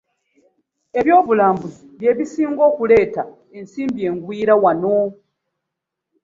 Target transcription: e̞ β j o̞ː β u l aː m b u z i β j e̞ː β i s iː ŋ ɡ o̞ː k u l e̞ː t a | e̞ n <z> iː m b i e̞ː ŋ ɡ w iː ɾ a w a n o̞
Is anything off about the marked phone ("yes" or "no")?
yes